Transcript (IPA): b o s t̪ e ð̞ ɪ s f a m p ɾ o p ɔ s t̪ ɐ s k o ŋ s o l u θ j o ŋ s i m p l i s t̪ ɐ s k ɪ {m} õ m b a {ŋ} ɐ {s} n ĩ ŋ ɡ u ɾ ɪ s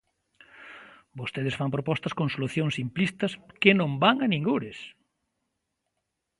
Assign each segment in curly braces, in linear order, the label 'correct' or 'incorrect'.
incorrect, correct, incorrect

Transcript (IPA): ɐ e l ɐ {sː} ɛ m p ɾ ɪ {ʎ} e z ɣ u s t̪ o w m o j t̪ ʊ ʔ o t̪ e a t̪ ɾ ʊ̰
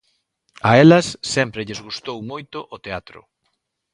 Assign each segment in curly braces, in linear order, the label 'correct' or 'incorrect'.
correct, correct

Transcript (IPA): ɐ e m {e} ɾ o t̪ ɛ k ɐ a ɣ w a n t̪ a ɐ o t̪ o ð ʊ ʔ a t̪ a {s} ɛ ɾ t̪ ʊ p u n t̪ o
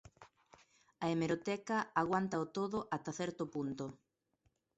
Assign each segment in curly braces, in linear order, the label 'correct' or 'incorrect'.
correct, incorrect

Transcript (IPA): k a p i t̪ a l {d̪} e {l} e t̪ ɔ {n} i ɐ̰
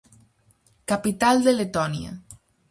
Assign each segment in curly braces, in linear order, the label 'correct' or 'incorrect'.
correct, correct, correct

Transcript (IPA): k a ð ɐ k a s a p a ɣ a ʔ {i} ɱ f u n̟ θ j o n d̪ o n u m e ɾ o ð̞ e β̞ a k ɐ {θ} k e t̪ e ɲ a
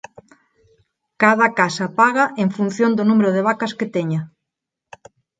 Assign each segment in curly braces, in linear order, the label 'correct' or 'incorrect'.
incorrect, incorrect

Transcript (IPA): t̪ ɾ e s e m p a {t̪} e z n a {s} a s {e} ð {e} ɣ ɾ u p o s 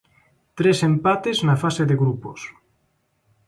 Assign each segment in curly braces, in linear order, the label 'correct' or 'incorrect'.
correct, incorrect, correct, correct

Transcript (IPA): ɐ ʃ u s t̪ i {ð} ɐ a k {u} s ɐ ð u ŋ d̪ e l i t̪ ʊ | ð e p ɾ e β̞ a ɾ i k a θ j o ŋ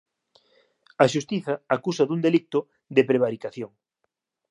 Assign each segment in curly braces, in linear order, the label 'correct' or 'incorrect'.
incorrect, correct

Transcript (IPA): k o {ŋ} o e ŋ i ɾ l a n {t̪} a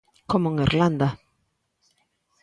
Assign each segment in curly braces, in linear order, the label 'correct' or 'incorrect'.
incorrect, incorrect

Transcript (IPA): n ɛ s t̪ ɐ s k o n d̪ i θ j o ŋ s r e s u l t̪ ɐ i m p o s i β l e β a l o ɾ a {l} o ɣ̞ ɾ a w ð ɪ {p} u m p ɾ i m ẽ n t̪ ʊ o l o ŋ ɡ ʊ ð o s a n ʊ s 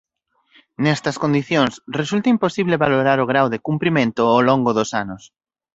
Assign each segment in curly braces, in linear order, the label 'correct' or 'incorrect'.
incorrect, incorrect

